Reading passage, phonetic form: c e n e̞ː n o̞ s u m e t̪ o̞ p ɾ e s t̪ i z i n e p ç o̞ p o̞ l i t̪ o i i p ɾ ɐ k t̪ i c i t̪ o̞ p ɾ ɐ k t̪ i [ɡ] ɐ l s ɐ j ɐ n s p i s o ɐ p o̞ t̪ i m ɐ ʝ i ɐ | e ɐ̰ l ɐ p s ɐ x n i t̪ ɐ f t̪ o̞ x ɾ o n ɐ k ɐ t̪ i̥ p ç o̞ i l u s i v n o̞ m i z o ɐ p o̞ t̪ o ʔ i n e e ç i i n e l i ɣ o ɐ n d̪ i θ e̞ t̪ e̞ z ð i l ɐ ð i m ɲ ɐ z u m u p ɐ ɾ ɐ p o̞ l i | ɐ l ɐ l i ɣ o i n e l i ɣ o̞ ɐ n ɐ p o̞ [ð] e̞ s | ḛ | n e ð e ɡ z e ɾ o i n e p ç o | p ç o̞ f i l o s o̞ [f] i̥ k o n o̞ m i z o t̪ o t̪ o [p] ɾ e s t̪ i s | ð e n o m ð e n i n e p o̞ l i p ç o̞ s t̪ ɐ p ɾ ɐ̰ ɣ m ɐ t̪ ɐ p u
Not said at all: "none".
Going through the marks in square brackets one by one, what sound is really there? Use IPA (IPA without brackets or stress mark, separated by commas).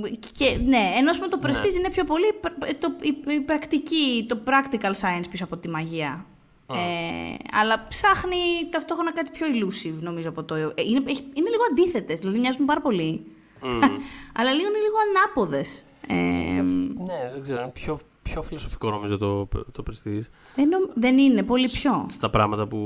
k, ð, f, p